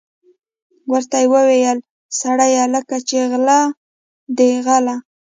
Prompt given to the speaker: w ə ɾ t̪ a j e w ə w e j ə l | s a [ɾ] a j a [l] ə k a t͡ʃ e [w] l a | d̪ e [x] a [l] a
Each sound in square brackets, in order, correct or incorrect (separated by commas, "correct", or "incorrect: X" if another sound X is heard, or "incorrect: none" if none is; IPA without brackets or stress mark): incorrect: ɽ, correct, incorrect: ɣ, incorrect: ɣ, correct